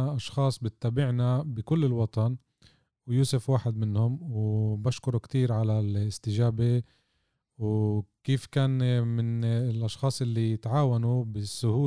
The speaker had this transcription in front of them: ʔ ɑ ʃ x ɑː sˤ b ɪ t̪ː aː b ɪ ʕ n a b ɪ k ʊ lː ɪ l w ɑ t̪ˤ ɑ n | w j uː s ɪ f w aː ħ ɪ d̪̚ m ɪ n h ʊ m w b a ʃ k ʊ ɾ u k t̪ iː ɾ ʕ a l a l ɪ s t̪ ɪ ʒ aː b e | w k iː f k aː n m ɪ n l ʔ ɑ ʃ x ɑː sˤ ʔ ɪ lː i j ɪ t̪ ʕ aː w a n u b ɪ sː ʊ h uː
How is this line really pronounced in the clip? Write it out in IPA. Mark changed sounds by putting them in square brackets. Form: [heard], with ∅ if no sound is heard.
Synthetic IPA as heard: ʔ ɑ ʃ x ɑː sˤ b ɪ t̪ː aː b ɪ ʕ n a b ɪ k ʊ lː ɪ l w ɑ t̪ˤ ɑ n | w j uː s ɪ f w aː ħ ɪ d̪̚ m ɪ n h ʊ m w b a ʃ k ʊ ɾ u k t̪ iː ɾ ʕ a l a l ɪ s t̪ ɪ ʒ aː b e | w k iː f k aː n m ɪ n l ʔ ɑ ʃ x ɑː sˤ ʔ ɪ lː i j ɪ t̪ ʕ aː w a n u b ɪ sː ʊ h uː